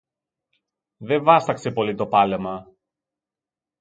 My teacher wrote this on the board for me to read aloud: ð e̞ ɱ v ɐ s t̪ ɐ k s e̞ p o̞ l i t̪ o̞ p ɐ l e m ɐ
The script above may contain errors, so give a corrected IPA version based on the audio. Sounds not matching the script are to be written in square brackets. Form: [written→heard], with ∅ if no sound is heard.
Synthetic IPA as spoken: ð e̞ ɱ v ɐ s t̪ ɐ k s e̞ p o̞ l i t̪ o̞ p ɐ l e m ɐ